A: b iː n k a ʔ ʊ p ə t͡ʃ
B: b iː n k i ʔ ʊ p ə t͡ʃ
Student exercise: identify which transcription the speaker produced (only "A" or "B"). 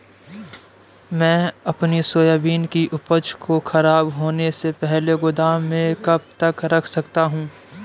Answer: B